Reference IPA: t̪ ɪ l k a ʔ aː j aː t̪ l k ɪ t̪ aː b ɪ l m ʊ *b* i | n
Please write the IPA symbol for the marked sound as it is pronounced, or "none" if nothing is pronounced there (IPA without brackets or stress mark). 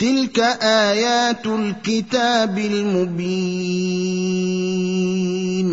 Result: b